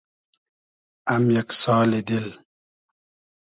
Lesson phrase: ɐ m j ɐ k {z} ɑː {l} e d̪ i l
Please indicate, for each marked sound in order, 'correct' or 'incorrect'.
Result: incorrect, correct

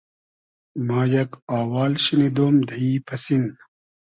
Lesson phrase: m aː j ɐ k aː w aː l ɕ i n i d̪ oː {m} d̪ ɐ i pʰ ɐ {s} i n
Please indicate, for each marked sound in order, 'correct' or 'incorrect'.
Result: correct, correct

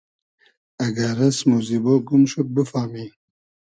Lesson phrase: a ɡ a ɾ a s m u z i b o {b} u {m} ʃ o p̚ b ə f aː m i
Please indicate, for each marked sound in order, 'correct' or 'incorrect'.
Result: incorrect, correct

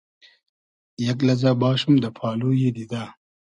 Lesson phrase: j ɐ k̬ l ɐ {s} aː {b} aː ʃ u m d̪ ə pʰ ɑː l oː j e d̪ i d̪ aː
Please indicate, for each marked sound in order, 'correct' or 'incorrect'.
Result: incorrect, correct

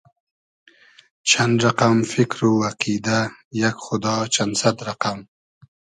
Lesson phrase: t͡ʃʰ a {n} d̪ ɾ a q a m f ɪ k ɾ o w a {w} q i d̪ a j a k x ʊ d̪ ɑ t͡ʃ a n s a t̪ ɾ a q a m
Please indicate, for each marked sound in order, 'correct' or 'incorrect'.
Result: correct, incorrect

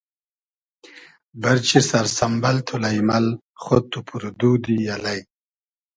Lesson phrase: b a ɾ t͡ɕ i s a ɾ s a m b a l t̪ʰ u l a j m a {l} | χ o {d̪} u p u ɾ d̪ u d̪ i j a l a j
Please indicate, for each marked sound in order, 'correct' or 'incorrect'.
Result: correct, incorrect

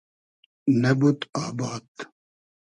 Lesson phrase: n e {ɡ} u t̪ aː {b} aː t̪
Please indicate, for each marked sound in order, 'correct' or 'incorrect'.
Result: incorrect, correct

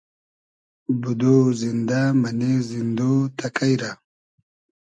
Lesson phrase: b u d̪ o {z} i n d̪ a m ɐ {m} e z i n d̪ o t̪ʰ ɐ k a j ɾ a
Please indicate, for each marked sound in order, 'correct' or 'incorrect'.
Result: correct, incorrect

